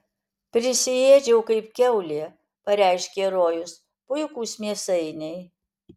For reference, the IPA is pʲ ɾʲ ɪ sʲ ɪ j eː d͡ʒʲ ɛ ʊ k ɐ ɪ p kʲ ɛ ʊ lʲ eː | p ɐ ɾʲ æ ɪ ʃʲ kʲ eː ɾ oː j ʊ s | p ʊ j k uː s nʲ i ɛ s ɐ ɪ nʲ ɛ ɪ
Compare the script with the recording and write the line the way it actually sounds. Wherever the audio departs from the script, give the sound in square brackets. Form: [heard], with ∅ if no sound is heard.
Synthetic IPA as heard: pʲ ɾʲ ɪ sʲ ɪ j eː d͡ʒʲ ɛ ʊ k ɐ ɪ p kʲ ɛ ʊ lʲ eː | p ɐ ɾʲ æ ɪ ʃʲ kʲ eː ɾ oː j ʊ s | p ʊ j k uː s [mʲ] i ɛ s ɐ ɪ nʲ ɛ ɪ